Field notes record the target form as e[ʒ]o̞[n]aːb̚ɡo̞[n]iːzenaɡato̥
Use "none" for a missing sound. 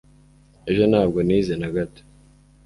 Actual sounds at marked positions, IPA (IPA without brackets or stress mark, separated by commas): ʒ, n, n